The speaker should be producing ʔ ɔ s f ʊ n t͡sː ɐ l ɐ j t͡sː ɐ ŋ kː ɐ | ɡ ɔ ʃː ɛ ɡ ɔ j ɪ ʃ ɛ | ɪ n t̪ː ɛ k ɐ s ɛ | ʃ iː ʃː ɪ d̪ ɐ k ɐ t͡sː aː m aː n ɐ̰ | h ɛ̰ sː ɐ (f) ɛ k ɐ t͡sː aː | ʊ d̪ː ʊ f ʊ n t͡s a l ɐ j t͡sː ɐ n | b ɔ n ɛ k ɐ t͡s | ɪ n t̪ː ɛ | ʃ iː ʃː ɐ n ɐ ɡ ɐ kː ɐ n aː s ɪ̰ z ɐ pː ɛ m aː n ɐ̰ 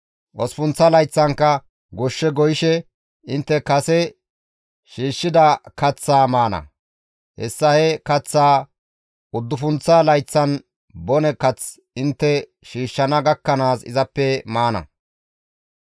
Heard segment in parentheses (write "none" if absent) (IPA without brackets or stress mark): h